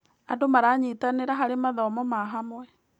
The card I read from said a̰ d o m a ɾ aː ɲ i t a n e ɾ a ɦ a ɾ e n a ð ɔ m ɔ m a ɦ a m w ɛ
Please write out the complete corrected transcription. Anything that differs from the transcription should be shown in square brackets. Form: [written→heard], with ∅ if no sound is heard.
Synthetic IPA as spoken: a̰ d o m a ɾ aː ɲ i t a n e ɾ a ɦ a ɾ e [n→m] a ð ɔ m ɔ m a ɦ a m w ɛ